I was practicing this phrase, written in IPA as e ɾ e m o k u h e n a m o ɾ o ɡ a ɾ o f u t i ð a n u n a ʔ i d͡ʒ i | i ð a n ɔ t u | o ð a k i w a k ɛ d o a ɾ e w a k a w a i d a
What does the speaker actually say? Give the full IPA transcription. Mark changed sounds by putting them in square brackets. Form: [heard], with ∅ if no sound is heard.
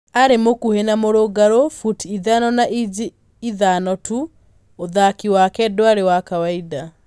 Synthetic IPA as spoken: [a] ɾ e m o k u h e n a m o ɾ o ɡ a ɾ o f u t i ð a n [ɔ] n a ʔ i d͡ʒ i | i ð a n ɔ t u | o ð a k i w a k ɛ d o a ɾ e w a k a w a i d a